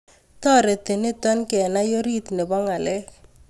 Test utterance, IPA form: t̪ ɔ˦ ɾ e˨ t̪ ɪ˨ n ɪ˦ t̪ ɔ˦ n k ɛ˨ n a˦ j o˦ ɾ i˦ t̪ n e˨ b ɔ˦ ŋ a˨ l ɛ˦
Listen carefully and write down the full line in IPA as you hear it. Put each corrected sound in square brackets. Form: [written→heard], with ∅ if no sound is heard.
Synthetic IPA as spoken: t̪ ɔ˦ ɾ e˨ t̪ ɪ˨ n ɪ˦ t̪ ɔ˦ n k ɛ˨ n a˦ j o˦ ɾ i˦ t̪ n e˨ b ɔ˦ ŋ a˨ l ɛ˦